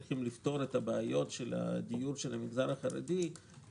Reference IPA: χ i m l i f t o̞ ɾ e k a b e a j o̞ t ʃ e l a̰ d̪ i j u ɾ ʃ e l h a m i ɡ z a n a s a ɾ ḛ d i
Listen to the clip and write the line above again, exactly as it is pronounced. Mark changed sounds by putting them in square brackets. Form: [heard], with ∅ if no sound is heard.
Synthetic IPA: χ i m l i f t o̞ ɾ e [t] a b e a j o̞ t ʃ e l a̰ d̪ i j u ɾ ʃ e l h a m i ɡ z a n a [χ] a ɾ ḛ d i